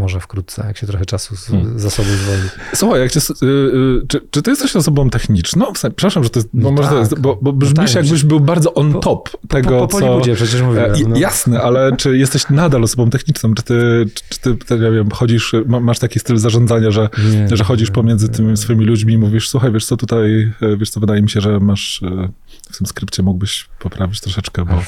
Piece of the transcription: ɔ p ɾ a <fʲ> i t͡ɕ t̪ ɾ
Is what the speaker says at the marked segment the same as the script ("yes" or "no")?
no